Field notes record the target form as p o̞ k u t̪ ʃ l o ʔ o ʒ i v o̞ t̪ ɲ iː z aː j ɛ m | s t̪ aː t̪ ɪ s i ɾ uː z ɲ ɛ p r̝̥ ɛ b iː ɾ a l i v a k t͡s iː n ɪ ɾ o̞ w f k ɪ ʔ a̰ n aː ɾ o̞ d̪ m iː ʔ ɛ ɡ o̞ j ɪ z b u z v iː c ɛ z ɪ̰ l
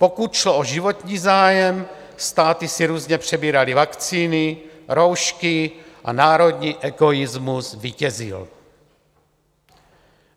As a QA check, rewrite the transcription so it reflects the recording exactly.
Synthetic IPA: p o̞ k u t̪ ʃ l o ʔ o ʒ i v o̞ t̪ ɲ iː z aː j ɛ m | s t̪ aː t̪ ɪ s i ɾ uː z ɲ ɛ p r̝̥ ɛ b iː ɾ a l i v a k t͡s iː n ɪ ɾ o̞ w ʃ k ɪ ʔ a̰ n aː ɾ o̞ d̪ ɲ iː ʔ ɛ ɡ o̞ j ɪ z m u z v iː c ɛ z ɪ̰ l